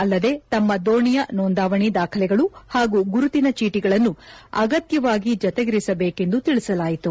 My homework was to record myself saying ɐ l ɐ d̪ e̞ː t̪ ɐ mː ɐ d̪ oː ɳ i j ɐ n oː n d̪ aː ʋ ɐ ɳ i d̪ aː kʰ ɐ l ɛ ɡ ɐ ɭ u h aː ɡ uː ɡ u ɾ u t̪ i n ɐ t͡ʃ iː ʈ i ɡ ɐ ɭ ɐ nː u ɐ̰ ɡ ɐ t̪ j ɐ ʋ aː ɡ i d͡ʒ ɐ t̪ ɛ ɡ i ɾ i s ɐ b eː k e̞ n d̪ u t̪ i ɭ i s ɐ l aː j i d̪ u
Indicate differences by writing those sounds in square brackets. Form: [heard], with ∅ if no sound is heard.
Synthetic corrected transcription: ɐ [lː] ɐ d̪ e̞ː t̪ ɐ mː ɐ d̪ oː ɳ i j ɐ n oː n d̪ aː ʋ ɐ ɳ i d̪ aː kʰ ɐ l ɛ ɡ ɐ ɭ u h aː ɡ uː ɡ u ɾ u t̪ i n ɐ t͡ʃ iː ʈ i ɡ ɐ ɭ ɐ nː u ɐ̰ ɡ ɐ t̪ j ɐ ʋ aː ɡ i d͡ʒ ɐ t̪ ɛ ɡ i ɾ i s ɐ b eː k e̞ n d̪ u t̪ i ɭ i s ɐ l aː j i [t̪] u